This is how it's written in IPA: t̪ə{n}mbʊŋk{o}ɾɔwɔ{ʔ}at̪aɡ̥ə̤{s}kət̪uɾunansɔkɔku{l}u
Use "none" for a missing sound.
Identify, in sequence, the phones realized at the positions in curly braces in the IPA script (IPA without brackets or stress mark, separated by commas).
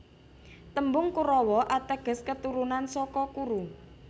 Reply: none, u, ʔ, s, ɾ